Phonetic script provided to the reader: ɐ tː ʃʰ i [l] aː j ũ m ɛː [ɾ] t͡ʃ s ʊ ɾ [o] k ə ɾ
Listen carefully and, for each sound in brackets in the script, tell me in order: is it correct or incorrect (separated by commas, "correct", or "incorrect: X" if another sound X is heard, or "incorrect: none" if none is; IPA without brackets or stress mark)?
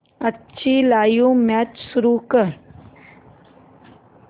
correct, incorrect: none, incorrect: u